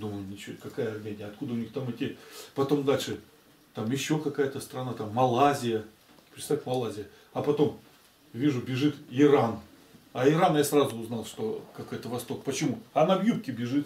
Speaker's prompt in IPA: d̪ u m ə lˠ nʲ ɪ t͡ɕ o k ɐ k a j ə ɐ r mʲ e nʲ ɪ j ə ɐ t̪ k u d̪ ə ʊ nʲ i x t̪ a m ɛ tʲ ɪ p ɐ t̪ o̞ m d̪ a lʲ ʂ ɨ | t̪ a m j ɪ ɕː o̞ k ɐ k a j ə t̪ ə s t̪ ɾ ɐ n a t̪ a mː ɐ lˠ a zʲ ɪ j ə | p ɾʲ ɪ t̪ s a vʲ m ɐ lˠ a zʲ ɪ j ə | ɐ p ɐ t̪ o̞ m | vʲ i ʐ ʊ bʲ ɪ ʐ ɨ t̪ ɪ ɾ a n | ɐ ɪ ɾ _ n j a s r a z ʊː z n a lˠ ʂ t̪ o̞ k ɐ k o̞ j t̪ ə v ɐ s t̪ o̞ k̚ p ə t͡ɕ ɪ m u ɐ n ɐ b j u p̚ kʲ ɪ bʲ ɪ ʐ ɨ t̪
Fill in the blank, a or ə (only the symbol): a